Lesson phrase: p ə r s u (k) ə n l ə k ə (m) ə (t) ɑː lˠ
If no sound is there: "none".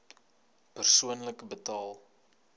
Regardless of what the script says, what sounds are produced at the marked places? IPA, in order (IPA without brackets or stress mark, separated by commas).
none, b, t